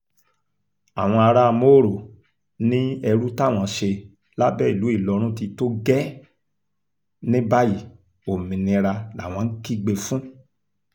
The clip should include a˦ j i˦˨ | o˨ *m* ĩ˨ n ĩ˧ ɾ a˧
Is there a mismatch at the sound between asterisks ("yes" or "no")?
no